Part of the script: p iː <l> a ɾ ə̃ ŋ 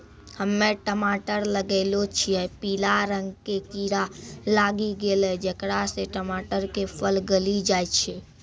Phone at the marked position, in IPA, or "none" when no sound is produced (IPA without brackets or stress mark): l